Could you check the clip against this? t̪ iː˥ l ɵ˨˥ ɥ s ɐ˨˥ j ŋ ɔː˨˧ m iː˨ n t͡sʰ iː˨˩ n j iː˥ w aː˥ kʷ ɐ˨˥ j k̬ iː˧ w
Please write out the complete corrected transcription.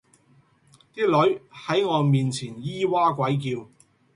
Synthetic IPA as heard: t̪ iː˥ l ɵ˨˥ ɥ h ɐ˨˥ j ŋ ɔː˨˧ m iː˨ n t͡sʰ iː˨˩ n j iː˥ w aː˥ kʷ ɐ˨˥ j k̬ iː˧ w